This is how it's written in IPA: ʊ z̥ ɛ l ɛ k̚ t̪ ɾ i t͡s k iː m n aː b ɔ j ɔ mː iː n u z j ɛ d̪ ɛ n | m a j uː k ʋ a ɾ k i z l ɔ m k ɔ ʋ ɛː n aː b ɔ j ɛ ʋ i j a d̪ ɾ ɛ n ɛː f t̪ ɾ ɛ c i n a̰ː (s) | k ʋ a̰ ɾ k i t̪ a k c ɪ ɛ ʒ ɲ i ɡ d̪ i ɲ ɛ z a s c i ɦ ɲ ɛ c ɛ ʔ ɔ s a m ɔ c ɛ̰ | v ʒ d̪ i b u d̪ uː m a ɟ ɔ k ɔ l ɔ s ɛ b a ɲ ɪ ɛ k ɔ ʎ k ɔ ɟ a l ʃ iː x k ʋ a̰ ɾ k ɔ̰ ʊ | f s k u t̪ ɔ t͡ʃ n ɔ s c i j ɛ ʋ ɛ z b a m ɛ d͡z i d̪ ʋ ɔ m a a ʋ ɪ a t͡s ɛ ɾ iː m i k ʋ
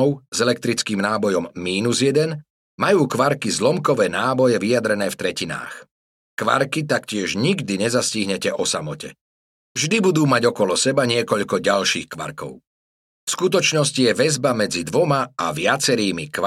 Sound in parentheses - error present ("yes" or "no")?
yes